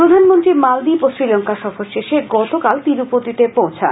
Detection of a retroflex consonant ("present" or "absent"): absent